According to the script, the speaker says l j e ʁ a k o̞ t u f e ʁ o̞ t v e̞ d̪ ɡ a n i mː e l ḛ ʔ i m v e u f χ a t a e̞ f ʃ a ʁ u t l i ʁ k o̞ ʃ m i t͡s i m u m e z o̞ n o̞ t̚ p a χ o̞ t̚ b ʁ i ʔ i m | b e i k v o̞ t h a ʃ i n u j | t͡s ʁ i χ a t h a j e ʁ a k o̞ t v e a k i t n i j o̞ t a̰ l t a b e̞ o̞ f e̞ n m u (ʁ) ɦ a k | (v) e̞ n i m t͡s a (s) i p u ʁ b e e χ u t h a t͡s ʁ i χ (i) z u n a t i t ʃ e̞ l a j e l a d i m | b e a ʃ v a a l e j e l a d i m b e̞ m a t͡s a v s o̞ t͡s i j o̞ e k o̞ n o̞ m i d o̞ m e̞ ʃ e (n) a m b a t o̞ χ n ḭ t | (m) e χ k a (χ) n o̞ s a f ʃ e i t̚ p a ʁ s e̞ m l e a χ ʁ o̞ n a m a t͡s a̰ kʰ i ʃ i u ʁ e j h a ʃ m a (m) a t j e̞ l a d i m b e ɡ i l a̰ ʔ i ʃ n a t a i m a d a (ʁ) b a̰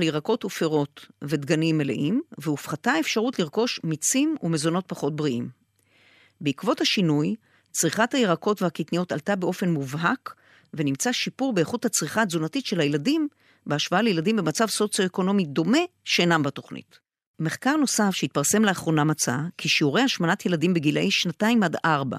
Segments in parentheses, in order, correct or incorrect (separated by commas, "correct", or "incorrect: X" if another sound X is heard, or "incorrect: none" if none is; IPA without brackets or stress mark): incorrect: v, correct, incorrect: ʃ, incorrect: a, correct, correct, incorrect: ʁ, incorrect: n, correct